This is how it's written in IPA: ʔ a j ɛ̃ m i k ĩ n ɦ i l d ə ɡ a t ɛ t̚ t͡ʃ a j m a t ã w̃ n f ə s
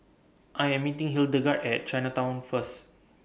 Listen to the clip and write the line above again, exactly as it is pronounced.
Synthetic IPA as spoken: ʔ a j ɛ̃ m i t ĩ ŋ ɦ i l d ə ɡ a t ɛ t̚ t͡ʃ a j n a t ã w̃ n f ə s